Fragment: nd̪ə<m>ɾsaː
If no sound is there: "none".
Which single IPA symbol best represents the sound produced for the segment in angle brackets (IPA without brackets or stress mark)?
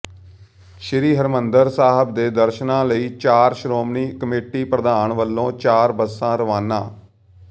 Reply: none